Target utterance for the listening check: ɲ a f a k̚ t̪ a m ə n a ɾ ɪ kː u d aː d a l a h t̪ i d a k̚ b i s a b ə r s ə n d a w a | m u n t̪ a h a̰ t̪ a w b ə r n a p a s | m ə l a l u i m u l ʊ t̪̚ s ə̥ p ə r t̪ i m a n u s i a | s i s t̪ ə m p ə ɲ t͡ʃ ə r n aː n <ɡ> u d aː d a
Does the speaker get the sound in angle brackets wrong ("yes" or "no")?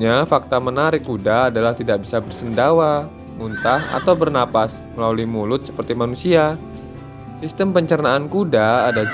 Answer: yes